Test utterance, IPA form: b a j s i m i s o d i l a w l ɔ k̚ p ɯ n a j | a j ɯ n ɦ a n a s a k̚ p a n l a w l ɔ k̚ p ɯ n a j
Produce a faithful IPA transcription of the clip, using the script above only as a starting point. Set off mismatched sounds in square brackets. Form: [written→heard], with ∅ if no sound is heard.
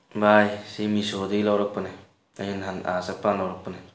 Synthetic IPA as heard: b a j s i m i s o d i l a w [l→ɾ] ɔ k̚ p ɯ n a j | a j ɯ n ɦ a n a s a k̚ p a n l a w [l→ɾ] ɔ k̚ p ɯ n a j